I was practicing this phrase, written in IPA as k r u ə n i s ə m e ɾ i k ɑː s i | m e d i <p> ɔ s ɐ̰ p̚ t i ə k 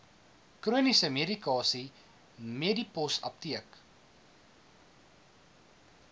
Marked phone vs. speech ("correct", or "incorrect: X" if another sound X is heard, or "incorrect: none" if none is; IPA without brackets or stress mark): correct